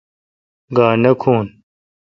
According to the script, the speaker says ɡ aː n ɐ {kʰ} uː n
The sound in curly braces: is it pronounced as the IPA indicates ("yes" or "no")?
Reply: yes